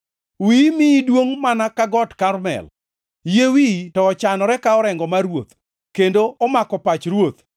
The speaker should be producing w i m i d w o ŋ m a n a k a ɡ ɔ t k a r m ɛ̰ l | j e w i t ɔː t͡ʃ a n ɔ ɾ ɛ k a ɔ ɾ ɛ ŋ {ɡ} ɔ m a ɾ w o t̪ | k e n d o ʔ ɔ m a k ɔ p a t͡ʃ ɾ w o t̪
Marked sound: correct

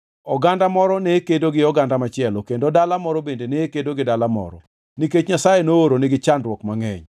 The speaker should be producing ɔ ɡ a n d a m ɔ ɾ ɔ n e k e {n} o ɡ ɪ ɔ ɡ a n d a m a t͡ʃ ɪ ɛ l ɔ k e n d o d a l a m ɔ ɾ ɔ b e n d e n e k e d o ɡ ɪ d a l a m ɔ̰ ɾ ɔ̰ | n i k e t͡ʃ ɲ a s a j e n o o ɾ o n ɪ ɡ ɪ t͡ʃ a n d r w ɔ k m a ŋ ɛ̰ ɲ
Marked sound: incorrect: d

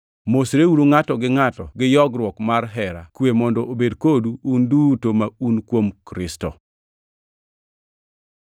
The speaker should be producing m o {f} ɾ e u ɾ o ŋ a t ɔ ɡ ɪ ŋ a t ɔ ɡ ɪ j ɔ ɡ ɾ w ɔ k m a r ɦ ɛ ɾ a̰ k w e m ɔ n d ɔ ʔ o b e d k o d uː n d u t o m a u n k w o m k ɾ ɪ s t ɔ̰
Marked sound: incorrect: s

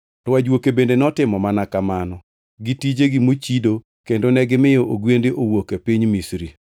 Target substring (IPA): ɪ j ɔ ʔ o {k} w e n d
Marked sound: incorrect: ɡ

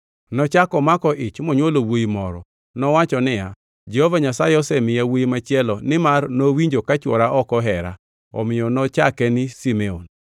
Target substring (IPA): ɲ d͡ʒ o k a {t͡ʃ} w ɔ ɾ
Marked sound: correct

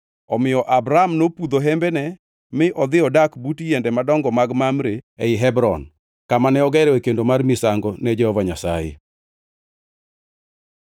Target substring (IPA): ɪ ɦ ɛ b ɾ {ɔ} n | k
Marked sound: correct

